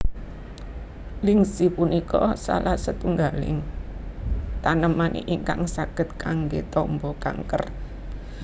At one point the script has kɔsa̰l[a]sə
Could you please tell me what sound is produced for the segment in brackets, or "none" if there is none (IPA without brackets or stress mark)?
a